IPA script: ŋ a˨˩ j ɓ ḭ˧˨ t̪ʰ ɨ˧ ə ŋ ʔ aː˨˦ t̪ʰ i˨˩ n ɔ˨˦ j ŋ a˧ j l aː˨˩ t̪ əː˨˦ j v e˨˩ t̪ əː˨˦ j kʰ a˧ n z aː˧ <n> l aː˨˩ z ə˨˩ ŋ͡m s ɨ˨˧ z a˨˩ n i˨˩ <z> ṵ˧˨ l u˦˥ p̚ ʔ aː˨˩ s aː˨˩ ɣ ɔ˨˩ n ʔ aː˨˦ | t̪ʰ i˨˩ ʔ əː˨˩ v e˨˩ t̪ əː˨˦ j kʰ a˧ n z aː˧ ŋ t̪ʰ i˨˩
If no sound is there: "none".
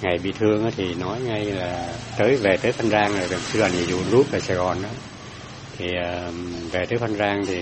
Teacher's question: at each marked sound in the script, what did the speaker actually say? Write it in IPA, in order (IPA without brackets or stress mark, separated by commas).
ŋ, z